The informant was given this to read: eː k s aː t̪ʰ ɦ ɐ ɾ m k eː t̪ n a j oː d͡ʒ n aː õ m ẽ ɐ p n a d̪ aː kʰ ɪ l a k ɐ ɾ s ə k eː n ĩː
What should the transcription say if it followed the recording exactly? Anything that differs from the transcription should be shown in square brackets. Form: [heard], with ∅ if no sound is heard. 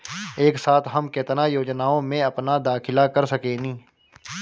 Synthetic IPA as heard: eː k s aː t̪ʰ ɦ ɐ [∅] m k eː t̪ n a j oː d͡ʒ n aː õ m ẽ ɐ p n a d̪ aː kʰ ɪ l a k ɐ ɾ s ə k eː n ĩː